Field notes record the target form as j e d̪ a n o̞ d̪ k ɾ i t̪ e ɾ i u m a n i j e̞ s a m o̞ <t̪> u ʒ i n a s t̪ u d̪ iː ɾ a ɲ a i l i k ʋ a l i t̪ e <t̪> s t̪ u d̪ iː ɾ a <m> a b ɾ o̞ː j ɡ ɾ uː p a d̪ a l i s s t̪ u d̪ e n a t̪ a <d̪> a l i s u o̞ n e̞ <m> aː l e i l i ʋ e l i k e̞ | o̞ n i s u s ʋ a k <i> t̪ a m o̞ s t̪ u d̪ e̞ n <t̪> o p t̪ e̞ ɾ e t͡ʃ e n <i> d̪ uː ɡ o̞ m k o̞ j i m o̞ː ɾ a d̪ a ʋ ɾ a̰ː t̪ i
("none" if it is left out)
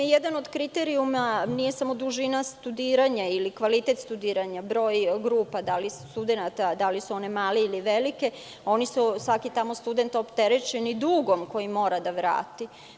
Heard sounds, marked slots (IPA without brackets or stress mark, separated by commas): d̪, t̪, ɲ, d̪, m, i, t̪, i